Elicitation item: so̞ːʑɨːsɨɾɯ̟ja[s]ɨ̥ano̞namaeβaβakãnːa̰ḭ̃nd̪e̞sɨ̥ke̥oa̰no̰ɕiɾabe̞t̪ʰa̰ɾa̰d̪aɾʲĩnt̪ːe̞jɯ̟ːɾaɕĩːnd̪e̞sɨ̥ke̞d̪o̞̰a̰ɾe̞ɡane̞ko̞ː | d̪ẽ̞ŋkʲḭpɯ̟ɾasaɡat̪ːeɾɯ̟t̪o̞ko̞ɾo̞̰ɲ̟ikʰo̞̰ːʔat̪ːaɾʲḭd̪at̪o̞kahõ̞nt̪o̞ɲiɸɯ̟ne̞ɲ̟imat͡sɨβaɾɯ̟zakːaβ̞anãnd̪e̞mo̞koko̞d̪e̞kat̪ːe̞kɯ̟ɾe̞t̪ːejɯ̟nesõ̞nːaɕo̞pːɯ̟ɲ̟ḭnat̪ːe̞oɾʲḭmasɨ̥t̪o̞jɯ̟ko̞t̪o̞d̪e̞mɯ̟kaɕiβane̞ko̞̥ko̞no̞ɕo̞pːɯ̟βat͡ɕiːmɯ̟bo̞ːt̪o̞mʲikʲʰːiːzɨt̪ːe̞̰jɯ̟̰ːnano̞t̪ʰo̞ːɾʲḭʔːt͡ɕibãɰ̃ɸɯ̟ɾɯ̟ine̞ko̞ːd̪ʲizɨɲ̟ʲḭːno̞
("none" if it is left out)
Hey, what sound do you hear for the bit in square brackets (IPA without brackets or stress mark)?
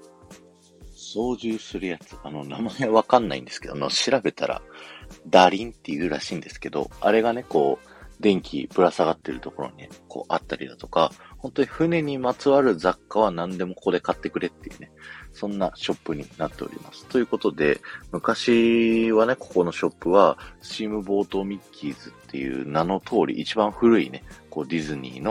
t͡s